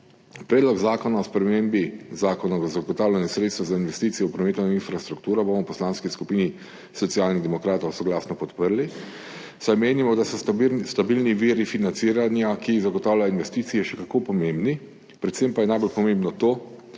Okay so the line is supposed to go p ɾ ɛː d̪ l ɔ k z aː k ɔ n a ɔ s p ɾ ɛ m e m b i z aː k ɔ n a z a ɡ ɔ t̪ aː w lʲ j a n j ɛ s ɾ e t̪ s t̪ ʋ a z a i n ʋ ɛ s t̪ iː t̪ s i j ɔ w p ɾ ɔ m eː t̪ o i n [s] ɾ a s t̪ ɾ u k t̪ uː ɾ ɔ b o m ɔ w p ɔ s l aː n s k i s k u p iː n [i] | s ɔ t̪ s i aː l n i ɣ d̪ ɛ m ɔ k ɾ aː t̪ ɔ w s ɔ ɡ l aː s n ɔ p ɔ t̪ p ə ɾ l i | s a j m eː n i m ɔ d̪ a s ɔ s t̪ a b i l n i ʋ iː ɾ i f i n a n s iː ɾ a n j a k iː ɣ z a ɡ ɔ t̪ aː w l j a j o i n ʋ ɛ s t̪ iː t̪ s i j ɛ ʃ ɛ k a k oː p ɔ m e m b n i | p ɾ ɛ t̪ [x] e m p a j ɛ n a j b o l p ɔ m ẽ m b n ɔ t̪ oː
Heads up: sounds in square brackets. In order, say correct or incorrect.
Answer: incorrect: f, correct, incorrect: s

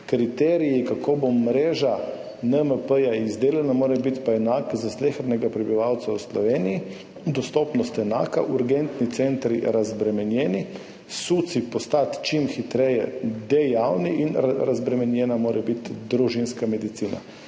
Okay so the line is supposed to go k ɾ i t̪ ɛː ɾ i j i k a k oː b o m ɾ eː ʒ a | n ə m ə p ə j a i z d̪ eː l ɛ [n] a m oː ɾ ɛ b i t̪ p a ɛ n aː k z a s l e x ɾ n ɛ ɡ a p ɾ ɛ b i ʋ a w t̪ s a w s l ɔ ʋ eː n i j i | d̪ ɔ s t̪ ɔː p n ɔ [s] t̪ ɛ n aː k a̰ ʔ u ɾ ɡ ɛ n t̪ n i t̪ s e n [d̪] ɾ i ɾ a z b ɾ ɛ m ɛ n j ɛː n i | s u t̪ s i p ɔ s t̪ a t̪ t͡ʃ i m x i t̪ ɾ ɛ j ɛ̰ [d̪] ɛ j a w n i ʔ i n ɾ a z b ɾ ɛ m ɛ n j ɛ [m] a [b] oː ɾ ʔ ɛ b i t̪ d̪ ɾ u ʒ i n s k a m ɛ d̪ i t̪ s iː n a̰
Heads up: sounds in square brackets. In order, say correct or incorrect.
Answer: correct, correct, incorrect: t̪, correct, incorrect: n, incorrect: m

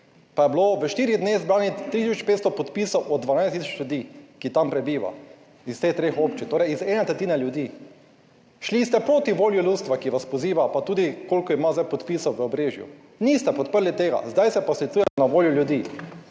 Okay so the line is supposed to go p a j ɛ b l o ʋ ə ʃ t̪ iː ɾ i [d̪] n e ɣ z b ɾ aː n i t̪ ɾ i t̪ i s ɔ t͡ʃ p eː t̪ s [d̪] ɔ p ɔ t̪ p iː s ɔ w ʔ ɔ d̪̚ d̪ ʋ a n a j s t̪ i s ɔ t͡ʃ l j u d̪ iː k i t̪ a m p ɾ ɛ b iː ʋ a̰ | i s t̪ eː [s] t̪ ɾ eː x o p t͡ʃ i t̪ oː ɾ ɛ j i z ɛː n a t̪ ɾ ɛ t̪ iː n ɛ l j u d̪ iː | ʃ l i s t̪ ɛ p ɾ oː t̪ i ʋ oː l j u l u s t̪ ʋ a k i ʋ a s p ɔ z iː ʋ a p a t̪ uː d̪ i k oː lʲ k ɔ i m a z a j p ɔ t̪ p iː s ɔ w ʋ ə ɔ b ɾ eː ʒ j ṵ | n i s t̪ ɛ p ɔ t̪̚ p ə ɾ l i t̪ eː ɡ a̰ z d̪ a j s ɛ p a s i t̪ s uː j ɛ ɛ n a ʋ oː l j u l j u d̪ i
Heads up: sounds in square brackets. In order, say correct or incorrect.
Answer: correct, incorrect: t̪, incorrect: x

